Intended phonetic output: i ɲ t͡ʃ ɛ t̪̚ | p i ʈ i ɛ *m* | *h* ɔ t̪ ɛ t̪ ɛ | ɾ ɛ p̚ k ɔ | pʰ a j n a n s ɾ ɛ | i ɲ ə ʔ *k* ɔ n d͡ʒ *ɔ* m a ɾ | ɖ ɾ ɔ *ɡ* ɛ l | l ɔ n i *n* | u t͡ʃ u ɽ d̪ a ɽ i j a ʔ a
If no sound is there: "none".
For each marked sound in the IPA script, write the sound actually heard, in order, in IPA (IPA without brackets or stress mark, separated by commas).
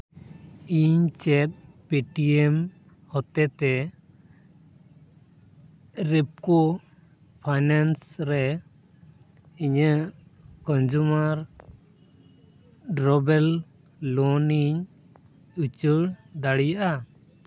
m, h, k, u, b, ɲ